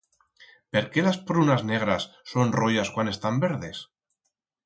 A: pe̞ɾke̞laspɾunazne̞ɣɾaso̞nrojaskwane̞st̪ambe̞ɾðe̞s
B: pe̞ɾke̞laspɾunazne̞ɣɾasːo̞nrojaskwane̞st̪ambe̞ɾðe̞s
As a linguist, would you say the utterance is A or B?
B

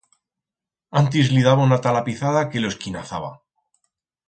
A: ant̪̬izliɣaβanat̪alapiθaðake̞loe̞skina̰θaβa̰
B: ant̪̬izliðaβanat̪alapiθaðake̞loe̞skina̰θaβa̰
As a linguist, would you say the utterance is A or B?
B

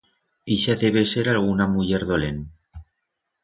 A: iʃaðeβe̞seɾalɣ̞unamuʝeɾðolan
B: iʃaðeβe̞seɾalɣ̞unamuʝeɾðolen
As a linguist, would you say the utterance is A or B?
B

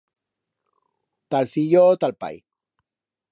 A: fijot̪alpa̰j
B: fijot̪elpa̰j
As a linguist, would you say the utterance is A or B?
A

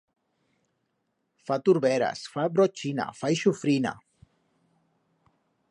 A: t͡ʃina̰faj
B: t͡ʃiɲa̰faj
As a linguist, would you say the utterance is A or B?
A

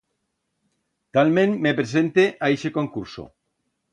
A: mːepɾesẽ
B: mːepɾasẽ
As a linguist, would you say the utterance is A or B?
A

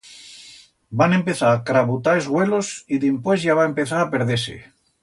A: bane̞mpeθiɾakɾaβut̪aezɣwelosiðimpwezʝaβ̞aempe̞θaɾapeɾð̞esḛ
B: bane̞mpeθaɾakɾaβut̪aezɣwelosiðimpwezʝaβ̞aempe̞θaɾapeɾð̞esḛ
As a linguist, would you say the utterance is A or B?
B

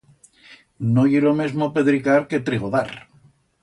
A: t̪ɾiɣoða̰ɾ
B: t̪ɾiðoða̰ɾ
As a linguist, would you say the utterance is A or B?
A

